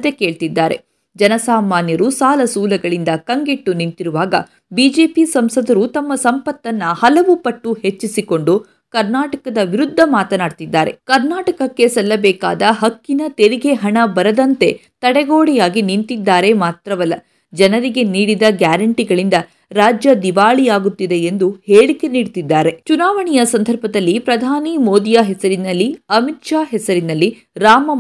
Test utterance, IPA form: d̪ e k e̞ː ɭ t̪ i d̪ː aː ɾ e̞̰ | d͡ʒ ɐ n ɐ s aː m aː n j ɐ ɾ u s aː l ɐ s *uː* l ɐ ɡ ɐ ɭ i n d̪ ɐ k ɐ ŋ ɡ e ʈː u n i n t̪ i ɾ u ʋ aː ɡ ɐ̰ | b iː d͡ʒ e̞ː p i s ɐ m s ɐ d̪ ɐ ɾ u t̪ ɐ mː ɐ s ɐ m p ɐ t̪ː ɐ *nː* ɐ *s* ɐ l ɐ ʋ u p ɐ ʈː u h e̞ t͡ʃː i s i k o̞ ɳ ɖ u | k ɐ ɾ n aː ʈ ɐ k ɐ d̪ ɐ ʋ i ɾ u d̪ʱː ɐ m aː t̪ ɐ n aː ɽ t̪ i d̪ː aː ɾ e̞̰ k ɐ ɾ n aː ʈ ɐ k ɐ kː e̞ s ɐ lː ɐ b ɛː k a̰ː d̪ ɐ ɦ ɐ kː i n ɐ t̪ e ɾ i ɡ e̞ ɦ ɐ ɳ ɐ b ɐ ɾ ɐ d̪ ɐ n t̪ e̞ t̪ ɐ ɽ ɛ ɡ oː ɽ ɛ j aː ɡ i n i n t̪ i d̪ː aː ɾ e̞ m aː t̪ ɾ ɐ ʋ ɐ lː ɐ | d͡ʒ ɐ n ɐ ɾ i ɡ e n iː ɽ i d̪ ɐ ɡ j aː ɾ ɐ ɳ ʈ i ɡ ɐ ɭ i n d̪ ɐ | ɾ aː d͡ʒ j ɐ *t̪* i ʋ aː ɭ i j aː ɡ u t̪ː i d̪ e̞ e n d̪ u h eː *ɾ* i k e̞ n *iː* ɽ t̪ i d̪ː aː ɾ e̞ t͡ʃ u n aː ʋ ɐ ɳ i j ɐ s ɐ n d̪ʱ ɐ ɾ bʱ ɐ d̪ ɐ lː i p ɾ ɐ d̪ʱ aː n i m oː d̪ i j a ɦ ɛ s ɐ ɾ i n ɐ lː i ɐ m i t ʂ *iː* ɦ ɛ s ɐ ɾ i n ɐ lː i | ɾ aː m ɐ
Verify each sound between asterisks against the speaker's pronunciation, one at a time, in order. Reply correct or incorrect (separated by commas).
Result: correct, correct, incorrect, incorrect, incorrect, correct, incorrect